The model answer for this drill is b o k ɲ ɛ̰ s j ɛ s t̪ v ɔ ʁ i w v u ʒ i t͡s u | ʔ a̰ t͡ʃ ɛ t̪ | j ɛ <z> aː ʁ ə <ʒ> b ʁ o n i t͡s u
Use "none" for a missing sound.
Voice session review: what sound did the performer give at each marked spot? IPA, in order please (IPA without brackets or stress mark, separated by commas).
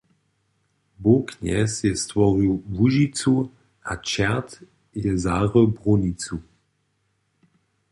z, none